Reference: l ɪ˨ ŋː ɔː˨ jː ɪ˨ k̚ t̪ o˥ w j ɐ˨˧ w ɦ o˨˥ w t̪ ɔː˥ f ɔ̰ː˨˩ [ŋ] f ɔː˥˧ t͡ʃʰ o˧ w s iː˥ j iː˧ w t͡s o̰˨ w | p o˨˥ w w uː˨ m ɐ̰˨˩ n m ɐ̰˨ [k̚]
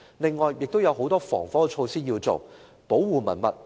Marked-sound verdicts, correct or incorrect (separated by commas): correct, incorrect